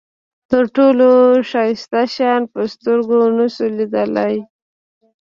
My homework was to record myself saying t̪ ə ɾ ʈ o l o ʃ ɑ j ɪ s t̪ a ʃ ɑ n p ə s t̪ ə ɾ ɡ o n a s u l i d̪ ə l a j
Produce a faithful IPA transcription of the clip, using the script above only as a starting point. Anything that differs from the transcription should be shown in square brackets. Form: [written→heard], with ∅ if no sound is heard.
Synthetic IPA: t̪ ə ɾ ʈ o l o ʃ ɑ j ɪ s t̪ a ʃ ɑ n p ə s t̪ ə ɾ ɡ o n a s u l i d̪ ə l a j